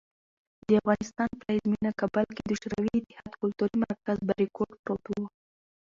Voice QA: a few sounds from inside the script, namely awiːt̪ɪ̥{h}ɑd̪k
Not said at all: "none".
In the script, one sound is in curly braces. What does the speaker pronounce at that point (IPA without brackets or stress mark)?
h